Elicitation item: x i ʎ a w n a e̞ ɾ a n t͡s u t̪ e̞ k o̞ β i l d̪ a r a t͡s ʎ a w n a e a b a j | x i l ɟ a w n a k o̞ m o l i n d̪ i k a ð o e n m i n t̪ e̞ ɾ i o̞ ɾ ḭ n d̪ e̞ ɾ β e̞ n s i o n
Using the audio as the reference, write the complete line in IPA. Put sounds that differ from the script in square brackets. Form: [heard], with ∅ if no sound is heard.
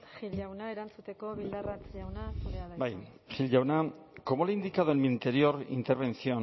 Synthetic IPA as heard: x i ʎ a w n a e̞ ɾ a n t͡s u t̪ e̞ k o̞ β i l d̪ a r a t͡s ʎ a w n a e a b a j | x i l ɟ a w n a k o̞ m o l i n d̪ i k a ð o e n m i n t̪ e̞ ɾ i o̞ ɾ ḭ n [t̪] e̞ ɾ β e̞ n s i o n